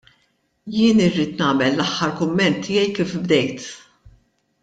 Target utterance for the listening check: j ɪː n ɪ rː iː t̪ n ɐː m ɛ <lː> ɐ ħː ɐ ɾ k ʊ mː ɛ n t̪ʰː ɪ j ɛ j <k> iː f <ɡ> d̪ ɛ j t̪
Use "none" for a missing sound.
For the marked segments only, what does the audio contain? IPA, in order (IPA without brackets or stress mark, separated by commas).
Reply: lː, k, b